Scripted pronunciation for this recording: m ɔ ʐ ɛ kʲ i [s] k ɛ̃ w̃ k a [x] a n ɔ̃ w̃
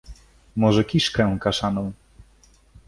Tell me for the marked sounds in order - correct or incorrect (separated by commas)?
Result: incorrect, incorrect